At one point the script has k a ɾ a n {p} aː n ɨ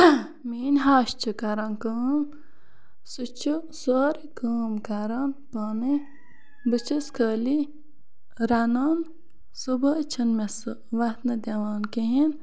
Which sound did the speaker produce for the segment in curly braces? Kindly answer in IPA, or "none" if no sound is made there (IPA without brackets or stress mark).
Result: p